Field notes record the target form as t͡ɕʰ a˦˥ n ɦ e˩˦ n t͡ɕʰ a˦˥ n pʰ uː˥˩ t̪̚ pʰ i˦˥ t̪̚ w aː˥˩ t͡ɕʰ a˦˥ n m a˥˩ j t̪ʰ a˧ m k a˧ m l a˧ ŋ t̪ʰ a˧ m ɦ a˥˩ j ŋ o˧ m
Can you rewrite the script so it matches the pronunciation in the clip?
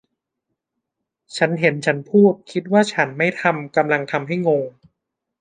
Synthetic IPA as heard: t͡ɕʰ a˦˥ n ɦ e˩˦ n t͡ɕʰ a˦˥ n pʰ uː˥˩ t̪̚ kʰ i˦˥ t̪̚ w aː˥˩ t͡ɕʰ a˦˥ n m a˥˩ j t̪ʰ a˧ m k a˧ m l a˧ ŋ t̪ʰ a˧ m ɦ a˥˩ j ŋ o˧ ŋ